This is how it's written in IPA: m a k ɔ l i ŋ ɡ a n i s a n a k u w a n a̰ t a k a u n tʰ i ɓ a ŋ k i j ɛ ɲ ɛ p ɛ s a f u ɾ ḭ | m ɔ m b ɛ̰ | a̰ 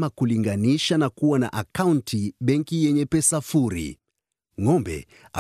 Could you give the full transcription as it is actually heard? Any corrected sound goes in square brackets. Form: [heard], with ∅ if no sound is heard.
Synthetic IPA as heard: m a k [u] l i ŋ ɡ a n i [ʃ] a n a k u w a n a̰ [ʔ] a k a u n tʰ i ɓ [ɛ] ŋ k i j ɛ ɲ ɛ p ɛ s a f u ɾ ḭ | [ŋ] ɔ m b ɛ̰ | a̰